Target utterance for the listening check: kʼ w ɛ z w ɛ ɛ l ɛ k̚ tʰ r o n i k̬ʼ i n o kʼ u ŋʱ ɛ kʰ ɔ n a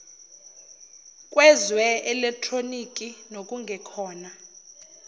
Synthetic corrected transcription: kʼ w ɛ z w ɛ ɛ l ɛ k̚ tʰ r o n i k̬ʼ i n o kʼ u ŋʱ ɛ kʰ ɔː n a